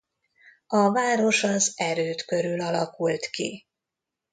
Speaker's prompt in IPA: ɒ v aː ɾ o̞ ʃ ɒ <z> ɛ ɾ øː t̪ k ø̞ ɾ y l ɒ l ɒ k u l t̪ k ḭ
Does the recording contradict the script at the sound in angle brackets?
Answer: no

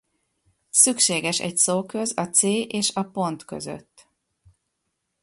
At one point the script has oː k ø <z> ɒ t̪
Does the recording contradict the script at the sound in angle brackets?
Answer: no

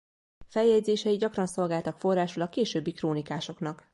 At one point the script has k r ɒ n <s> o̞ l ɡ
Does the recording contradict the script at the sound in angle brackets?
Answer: no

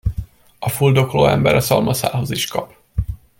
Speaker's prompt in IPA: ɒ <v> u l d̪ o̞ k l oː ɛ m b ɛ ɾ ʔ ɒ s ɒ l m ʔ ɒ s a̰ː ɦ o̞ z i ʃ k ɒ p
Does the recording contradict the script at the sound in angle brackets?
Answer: yes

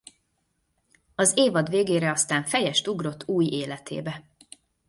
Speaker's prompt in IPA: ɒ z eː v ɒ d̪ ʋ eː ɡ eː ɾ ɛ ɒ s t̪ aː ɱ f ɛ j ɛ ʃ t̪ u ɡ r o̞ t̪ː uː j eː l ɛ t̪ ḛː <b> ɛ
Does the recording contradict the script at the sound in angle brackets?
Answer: no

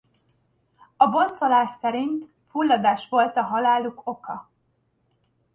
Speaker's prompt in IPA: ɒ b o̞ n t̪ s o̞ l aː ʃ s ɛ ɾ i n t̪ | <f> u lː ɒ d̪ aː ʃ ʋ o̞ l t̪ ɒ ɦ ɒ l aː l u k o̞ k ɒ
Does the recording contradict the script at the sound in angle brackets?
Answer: no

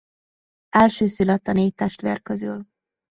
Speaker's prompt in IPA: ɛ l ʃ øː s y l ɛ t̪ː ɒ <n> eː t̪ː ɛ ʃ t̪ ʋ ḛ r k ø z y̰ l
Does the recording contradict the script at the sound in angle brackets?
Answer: no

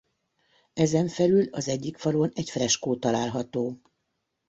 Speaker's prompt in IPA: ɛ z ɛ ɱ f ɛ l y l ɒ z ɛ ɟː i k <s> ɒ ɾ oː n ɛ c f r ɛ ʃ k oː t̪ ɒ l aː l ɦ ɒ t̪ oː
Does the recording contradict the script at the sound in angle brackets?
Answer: yes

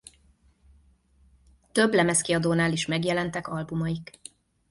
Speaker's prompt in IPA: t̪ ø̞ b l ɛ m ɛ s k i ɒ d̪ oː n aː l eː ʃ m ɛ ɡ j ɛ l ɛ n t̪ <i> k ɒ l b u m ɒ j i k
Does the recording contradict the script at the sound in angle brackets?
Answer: yes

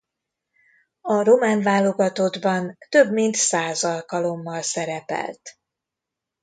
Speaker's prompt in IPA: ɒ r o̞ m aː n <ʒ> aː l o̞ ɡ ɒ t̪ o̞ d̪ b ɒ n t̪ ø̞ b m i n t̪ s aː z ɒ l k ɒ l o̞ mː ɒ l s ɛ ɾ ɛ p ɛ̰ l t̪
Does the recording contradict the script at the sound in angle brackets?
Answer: yes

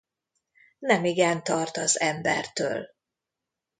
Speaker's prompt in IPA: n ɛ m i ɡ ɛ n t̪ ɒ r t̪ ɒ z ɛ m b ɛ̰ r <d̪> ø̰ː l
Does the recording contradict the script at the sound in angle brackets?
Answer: yes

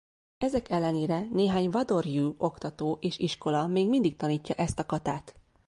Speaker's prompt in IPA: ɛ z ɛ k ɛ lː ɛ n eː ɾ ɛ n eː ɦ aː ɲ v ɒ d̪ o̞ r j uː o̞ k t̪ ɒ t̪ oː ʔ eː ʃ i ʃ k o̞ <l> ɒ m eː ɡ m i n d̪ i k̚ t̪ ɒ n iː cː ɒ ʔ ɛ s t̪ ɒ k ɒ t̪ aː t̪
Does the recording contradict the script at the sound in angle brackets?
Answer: no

